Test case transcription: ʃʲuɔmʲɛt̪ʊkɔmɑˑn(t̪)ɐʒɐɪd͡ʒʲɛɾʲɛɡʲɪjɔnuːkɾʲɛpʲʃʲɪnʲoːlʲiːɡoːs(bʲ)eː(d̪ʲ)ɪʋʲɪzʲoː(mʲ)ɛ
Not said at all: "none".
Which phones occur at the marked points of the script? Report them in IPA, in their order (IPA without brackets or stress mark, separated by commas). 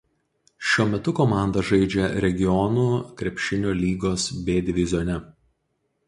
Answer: d̪, bʲ, d̪ʲ, nʲ